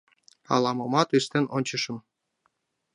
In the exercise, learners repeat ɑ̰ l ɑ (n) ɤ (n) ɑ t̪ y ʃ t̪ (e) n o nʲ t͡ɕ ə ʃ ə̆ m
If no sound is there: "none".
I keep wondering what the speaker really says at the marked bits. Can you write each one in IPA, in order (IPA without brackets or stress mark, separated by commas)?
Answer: m, m, e